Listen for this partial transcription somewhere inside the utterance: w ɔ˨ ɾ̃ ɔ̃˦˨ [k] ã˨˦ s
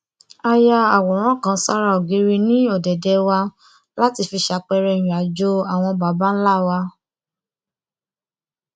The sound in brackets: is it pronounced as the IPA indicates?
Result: yes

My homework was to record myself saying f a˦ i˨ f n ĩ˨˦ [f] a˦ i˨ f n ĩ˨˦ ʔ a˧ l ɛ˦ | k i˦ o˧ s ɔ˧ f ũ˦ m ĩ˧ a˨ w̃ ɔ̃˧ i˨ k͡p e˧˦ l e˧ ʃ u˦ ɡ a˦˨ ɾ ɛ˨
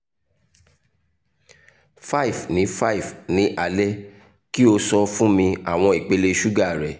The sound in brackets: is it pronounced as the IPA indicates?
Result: yes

